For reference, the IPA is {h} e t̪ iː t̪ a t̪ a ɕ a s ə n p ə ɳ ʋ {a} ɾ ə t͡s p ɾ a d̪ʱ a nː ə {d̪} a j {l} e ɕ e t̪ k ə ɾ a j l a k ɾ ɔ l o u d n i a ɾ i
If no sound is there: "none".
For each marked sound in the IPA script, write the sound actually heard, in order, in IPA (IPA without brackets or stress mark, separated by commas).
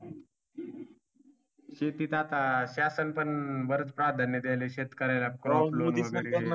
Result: ɕ, ə, d̪, l